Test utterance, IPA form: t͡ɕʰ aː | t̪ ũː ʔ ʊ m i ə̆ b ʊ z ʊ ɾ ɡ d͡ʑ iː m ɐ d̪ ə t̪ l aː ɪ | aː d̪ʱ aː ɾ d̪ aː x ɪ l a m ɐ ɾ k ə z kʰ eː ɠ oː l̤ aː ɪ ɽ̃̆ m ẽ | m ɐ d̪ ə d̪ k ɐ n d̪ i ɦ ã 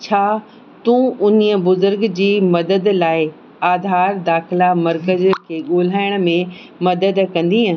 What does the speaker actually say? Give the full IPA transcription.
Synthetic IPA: t͡ɕʰ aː | t̪ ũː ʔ ʊ n i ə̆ b ʊ z ʊ ɾ ɡ d͡ʑ iː m ɐ d̪ ə d̪ l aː ɪ | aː d̪ʱ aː ɾ d̪ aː x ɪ l a m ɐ ɾ k ə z kʰ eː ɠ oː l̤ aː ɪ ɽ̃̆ m ẽ | m ɐ d̪ ə d̪ k ɐ̃ n d̪ i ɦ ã